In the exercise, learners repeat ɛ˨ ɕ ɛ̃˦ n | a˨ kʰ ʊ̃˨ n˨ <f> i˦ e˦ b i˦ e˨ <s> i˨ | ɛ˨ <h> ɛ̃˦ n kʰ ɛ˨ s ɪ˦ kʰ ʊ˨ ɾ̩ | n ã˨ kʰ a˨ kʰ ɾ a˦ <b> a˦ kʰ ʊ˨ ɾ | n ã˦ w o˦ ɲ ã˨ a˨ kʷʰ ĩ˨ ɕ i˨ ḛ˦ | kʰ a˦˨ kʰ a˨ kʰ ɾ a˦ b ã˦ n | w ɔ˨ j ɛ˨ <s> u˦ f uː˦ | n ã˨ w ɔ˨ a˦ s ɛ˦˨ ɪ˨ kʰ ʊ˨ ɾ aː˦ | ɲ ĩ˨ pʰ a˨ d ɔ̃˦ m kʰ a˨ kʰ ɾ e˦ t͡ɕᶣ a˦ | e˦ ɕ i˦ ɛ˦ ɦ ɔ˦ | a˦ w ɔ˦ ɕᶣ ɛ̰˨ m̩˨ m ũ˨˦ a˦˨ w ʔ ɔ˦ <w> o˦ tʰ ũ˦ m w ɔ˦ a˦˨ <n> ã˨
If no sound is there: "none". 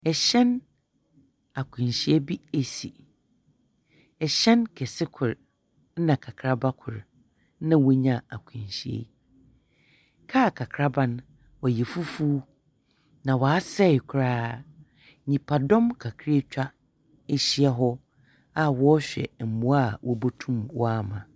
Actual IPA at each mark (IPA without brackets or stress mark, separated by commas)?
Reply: ɕ, s, ɕ, b, f, b, m